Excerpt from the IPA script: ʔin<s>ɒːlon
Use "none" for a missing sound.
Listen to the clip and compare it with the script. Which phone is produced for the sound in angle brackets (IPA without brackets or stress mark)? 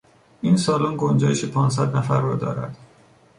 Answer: s